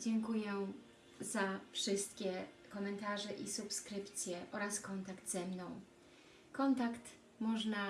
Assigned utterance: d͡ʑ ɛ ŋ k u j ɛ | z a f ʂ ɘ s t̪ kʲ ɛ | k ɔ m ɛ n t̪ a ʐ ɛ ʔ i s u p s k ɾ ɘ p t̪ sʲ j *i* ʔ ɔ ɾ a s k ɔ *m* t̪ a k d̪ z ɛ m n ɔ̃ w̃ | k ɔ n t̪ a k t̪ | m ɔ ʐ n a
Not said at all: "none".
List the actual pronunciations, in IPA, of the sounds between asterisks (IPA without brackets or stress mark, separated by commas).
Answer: ɛ, n